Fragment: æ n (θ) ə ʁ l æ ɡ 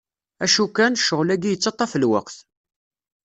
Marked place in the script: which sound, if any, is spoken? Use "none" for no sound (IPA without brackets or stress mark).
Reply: ʃ